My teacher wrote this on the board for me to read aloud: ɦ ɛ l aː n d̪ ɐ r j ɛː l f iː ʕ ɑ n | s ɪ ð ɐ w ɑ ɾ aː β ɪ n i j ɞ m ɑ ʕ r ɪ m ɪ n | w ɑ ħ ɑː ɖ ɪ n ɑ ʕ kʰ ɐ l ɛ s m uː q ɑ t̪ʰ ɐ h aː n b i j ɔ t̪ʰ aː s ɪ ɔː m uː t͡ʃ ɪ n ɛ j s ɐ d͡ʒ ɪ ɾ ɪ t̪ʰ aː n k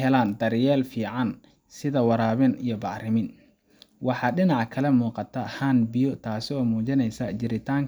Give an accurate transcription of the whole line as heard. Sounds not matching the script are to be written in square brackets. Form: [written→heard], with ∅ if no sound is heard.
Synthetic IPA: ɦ ɛ l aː n d̪ ɐ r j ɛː l f iː ʕ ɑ n | s ɪ ð ɐ w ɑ ɾ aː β ɪ n i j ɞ [m→b] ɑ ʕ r ɪ m ɪ n | w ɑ ħ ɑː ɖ ɪ n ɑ ʕ kʰ ɐ l ɛ [s→∅] m uː q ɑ t̪ʰ ɐ h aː n b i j ɔ t̪ʰ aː s ɪ ɔː m uː t͡ʃ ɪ n ɛ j s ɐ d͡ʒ ɪ ɾ ɪ t̪ʰ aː [n→ŋ] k